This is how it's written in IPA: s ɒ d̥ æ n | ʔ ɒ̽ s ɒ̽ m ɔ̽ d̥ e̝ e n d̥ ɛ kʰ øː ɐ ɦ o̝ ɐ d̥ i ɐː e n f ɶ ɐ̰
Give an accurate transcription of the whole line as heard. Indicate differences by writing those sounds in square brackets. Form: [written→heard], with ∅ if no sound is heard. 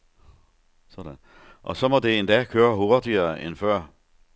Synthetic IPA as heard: s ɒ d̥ æ n | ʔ ɒ̽ s ɒ̽ m [ɔ̽→ɒ̽] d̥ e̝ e n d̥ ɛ kʰ øː ɐ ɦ o̝ ɐ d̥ i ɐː e n f ɶ ɐ̰